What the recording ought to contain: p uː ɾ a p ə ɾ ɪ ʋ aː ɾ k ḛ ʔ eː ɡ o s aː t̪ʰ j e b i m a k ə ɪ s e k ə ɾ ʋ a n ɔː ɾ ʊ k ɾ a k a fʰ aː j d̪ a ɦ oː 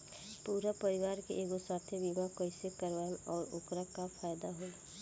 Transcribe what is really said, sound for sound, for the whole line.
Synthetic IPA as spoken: p uː ɾ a p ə ɾ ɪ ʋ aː ɾ k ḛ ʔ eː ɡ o s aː t̪ʰ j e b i m a k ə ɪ s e k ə ɾ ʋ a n ɔː ɾ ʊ k ɾ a k a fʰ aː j d̪ a ɦ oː